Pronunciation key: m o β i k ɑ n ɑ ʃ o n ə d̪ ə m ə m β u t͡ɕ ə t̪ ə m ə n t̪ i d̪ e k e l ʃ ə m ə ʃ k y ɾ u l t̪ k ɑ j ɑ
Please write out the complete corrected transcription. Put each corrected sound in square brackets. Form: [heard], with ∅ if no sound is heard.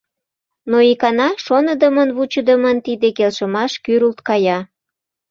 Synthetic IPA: [n] o [∅] i k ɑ n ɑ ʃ o n ə d̪ ə m ə [n] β u t͡ɕ ə [d̪] ə m ə n t̪ i d̪ e k e l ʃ ə m [ɑ] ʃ k y ɾ u l t̪ k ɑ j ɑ